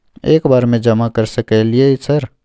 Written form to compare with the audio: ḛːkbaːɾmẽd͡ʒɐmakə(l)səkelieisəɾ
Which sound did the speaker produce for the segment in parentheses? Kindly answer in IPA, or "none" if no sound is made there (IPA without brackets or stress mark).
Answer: ɾ